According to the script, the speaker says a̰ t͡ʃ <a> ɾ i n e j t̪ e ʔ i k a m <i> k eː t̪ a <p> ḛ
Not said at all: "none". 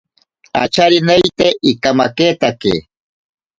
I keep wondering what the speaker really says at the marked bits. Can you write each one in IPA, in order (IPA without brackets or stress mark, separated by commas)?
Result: a, a, k